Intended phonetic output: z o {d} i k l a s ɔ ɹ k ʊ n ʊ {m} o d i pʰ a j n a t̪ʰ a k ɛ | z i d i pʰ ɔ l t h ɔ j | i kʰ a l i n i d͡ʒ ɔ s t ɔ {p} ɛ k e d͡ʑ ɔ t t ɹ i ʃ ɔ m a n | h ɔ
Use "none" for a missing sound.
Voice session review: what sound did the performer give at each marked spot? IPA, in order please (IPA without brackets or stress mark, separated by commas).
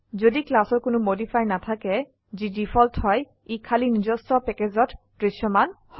d, m, p